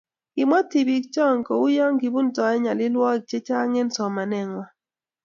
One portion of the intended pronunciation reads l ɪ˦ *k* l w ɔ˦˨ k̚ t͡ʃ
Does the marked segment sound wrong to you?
yes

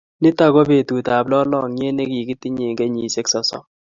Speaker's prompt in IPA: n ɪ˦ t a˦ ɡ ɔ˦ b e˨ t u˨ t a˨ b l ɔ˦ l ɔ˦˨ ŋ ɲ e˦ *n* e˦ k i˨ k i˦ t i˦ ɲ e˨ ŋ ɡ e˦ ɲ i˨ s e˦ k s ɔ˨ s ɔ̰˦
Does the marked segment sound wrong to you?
no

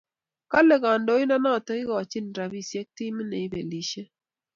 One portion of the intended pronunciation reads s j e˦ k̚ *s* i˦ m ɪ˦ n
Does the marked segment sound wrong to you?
yes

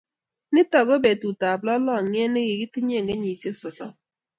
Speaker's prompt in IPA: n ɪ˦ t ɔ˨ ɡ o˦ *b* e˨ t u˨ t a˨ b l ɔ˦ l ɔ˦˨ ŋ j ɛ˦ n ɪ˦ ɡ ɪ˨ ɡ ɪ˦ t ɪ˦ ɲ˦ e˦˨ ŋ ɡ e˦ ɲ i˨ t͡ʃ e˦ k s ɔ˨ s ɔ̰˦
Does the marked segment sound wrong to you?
no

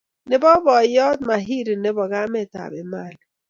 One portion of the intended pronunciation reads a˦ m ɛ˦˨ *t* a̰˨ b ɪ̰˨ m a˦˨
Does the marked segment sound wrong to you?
no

